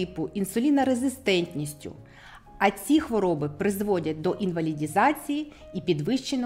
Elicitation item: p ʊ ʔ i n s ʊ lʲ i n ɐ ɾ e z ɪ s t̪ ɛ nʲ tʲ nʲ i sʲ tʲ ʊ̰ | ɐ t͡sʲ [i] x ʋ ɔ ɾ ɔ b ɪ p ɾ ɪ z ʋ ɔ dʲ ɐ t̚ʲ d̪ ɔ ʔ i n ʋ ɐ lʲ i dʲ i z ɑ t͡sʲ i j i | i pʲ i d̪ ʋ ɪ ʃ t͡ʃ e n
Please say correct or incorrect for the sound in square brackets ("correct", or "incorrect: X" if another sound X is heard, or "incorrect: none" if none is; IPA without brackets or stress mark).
correct